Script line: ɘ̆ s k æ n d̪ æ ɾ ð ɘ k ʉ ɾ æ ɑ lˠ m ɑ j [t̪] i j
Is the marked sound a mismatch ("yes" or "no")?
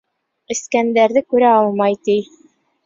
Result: no